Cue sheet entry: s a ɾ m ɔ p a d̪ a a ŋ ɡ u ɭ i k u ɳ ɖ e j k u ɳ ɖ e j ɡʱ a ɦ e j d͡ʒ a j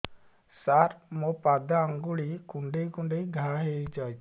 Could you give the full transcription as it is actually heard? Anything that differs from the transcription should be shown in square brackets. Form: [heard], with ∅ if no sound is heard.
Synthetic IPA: s a ɾ m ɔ p a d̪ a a ŋ ɡ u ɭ i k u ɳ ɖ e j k u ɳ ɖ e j ɡʱ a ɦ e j d͡ʒ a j